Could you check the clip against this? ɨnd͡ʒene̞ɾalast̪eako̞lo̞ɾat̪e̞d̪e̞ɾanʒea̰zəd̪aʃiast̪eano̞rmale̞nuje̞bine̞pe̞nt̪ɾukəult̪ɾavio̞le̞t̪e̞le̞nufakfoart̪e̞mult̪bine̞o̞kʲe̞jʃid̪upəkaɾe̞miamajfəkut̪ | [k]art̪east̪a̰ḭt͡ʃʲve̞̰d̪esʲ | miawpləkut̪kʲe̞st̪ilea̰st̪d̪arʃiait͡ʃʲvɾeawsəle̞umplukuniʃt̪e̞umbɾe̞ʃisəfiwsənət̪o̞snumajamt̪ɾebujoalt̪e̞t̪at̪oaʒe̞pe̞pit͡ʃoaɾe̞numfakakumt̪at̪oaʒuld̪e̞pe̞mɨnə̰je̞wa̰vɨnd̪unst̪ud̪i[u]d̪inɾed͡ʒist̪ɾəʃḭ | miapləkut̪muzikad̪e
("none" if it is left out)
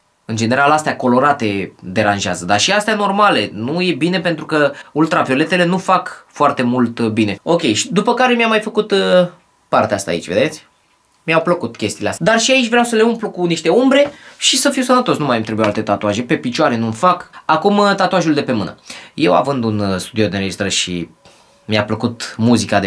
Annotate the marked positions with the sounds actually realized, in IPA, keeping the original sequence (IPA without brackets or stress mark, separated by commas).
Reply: p, o